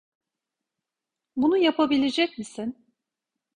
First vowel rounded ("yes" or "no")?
yes